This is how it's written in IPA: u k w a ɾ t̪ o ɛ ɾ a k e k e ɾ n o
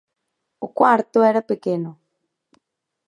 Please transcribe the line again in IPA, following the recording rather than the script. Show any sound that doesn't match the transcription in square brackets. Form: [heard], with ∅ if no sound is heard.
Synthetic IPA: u k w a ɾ t̪ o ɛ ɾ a [p] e k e [∅] n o